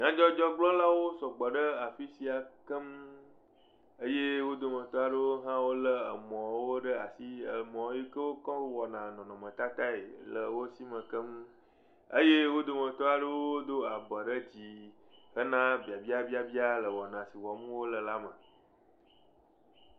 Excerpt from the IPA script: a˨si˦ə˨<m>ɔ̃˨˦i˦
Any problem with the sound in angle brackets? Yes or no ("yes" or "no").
no